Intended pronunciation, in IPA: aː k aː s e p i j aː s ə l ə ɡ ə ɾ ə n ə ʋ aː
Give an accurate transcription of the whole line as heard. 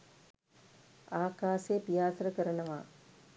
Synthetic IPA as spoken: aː k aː s e p i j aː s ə ɾ ə k ə ɾ ə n ə ʋ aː